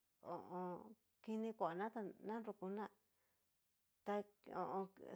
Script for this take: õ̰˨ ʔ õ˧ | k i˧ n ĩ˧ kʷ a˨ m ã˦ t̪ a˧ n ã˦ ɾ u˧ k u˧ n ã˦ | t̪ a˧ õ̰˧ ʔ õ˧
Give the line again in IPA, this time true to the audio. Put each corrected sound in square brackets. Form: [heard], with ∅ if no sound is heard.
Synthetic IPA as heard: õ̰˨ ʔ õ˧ | k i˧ n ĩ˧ kʷ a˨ [n] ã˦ t̪ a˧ n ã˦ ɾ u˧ k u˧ n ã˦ | t̪ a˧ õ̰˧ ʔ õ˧

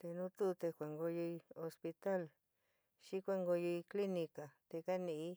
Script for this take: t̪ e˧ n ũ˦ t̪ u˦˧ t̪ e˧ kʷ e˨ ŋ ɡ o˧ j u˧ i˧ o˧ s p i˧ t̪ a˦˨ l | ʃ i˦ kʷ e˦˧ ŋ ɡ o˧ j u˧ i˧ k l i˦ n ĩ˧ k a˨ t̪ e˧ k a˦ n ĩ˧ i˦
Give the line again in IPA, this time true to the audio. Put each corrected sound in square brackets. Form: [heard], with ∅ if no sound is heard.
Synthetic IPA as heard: t̪ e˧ n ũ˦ t̪ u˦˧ t̪ e˧ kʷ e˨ ŋ ɡ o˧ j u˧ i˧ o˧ s p i˧ t̪ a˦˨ l | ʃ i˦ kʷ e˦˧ ŋ ɡ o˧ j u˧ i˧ k l i˦ n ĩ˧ k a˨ t̪ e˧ k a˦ n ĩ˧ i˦

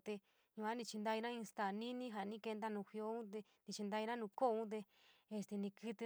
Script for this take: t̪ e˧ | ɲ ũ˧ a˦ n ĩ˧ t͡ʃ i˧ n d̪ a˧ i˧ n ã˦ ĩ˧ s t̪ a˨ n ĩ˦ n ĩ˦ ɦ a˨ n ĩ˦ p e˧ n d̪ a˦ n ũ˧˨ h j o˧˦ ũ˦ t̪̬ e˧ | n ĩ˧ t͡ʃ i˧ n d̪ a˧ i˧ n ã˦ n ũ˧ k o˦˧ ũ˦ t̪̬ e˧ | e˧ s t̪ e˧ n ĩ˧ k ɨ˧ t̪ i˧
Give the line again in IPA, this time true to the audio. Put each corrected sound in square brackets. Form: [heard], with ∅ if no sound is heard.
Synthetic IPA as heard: t̪ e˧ | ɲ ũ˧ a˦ n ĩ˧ t͡ʃ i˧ n d̪ a˧ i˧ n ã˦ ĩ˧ s t̪ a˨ n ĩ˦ n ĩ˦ ɦ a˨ n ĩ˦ [k] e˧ n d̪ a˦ n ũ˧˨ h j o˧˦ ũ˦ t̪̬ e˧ | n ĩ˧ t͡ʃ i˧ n d̪ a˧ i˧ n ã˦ n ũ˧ k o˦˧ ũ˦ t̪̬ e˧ | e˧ s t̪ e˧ n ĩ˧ k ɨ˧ t̪ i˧

